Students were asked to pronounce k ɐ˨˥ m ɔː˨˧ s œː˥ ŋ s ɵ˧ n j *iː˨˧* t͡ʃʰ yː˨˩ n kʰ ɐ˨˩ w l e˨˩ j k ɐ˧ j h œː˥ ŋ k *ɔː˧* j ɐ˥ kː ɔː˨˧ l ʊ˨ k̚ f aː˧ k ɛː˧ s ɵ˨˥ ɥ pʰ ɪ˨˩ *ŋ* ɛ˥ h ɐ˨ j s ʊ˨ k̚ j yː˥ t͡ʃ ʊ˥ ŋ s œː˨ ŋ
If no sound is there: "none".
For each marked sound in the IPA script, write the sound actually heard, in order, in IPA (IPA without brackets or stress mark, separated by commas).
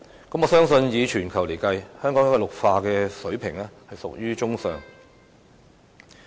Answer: iː˨˧, ɔː˨˥, ŋ